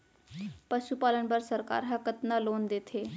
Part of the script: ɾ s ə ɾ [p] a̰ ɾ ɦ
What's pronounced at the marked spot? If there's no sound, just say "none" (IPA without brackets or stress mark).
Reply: k